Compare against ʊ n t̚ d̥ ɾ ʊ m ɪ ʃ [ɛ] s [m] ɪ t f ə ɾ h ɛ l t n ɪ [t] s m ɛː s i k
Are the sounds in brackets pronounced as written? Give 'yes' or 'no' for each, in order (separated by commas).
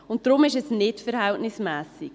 yes, no, no